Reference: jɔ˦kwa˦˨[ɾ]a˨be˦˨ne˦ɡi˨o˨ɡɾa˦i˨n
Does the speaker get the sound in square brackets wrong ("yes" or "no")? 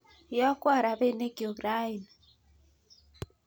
no